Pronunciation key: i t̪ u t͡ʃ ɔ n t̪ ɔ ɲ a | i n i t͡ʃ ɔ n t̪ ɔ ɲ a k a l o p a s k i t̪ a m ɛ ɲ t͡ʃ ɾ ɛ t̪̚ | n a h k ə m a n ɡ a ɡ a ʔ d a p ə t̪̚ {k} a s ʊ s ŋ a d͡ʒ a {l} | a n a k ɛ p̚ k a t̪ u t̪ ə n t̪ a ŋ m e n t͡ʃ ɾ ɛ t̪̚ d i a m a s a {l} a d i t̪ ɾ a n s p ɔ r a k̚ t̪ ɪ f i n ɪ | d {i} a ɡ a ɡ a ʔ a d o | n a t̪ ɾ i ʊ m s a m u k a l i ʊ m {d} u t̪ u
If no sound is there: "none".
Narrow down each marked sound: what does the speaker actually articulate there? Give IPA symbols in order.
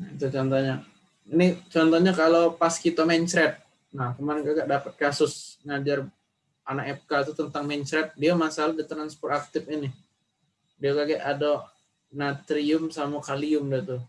k, r, l, i, d

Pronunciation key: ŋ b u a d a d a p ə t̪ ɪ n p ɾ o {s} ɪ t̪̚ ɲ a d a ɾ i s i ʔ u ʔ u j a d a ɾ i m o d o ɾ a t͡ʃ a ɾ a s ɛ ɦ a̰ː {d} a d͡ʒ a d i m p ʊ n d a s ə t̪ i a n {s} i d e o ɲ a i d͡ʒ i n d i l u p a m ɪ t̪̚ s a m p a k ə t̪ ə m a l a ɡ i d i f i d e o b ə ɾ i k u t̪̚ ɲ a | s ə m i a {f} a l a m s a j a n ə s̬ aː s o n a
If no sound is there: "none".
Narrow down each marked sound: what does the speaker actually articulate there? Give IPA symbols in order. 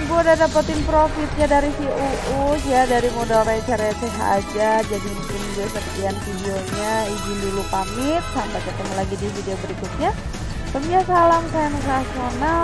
f, d͡ʒ, f, s

